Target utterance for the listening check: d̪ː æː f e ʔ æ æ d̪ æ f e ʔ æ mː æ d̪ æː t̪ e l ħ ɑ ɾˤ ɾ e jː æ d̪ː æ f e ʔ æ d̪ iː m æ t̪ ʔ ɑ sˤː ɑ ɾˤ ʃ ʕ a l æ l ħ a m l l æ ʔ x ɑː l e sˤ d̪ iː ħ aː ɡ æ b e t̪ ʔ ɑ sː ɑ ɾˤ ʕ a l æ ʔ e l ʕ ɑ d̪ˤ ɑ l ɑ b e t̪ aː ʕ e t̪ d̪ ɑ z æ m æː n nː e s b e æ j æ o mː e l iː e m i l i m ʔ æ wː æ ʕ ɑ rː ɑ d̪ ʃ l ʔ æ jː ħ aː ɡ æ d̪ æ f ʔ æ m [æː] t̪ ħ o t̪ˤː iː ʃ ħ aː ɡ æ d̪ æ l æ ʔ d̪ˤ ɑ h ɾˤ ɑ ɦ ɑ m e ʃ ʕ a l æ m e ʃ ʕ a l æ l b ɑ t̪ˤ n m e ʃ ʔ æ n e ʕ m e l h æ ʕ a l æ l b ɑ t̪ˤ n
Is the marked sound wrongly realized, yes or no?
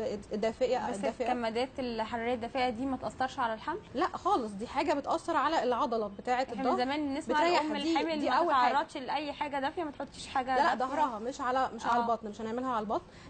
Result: yes